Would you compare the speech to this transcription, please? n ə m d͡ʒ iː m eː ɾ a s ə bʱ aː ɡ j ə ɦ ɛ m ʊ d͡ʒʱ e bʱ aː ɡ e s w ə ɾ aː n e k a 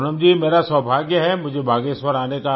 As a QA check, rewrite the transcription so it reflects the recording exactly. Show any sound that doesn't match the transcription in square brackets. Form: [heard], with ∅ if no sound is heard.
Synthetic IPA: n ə m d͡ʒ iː m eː ɾ a s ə bʱ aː ɡ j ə ɦ ɛ m ʊ d͡ʒʱ e bʱ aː ɡ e s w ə ɾ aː n e k a